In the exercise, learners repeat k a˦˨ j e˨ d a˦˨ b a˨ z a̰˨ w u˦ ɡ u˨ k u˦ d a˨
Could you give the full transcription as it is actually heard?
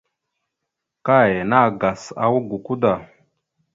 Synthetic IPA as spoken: k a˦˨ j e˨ n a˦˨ ɡ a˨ s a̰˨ w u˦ ɡ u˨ k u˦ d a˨